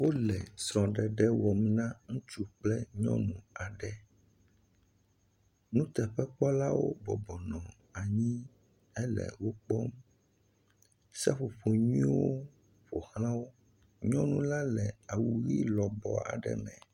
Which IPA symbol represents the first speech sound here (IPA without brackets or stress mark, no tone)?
w